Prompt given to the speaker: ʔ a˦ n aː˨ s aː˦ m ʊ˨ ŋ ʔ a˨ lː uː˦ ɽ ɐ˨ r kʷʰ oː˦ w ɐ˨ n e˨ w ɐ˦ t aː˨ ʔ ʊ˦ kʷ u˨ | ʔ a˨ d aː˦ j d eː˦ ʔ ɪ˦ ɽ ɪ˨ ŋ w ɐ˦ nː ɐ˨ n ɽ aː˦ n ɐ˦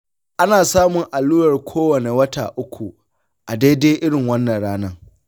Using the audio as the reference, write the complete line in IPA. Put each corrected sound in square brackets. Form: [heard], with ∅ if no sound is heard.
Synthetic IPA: ʔ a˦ n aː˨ s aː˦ m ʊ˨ ŋ ʔ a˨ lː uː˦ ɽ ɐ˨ r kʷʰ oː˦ w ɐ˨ n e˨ w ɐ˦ t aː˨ ʔ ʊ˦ kʷ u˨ | ʔ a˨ d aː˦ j d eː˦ ʔ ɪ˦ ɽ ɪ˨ ŋ w ɐ˦ nː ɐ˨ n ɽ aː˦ n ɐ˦